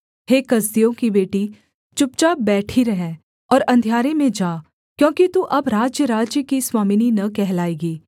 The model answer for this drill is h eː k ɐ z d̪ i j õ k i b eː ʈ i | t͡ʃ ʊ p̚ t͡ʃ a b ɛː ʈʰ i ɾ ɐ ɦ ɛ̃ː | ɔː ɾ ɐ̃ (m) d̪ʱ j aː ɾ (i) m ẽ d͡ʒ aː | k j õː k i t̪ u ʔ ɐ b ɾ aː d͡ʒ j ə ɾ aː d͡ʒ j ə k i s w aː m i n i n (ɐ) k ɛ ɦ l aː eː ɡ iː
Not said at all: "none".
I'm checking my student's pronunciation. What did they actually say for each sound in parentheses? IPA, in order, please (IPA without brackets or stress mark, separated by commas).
n, e, ɐ